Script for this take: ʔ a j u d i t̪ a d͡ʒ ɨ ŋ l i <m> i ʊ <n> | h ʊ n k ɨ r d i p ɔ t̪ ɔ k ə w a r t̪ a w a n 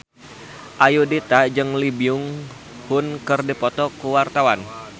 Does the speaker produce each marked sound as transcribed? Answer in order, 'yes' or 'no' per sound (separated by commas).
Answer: no, no